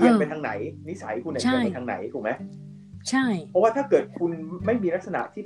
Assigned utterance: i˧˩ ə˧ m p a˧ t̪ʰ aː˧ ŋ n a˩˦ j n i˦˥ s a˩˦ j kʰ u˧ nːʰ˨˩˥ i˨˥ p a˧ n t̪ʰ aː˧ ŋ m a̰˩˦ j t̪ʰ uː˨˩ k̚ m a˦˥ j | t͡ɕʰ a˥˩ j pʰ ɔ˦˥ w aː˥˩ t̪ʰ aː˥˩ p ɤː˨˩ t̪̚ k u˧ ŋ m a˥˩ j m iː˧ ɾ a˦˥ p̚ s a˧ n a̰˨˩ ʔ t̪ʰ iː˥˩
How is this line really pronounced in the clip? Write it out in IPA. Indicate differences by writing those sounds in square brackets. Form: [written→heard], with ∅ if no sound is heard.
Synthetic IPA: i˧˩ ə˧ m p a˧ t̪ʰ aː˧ ŋ n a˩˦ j n i˦˥ s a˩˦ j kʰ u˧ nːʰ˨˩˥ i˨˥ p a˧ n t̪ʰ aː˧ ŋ [m→n] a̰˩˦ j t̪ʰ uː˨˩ k̚ m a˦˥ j | t͡ɕʰ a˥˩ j pʰ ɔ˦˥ w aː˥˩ t̪ʰ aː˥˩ [p→k] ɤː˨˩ t̪̚ [k→kʰ] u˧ [ŋ→n] m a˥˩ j m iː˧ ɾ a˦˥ [p̚→k̚] s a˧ n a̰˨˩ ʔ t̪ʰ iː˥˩